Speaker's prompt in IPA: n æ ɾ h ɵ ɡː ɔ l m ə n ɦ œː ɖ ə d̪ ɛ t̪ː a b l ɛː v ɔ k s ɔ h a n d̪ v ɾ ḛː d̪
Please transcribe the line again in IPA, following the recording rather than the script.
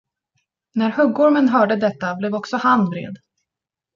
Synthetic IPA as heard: n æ ɾ h ɵ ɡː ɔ ɾ m ə n ɦ œː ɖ ə d̪ ɛ t̪ː a b l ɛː v ɔ k s ɔ h a n d̪ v ɾ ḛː d̪